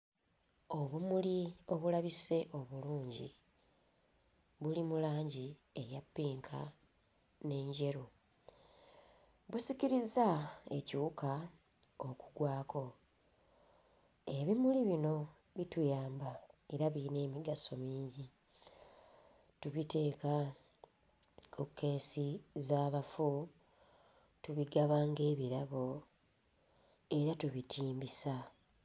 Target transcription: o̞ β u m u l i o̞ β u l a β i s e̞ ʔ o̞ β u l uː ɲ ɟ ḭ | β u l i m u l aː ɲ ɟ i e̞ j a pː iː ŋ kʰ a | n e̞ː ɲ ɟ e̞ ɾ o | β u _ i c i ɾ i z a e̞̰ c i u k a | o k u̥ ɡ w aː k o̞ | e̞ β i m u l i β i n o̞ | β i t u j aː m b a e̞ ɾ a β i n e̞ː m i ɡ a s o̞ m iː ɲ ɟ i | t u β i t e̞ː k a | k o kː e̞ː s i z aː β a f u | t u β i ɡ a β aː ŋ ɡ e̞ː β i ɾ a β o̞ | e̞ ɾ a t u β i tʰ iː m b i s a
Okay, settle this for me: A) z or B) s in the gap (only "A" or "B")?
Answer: B